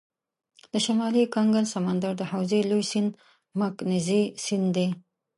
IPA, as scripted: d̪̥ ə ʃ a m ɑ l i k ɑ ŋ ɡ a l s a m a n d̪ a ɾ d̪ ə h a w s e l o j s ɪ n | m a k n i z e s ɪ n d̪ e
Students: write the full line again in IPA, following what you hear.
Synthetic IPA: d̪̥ ə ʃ a m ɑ l i k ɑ ŋ ɡ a l s a m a n d̪ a ɾ d̪ ə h a w z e l o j s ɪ n | m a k n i z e s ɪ n d̪ e